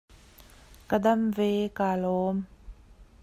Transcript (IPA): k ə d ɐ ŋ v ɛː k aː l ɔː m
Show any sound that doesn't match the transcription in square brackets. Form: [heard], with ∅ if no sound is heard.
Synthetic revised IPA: k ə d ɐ [m] v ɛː k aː l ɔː m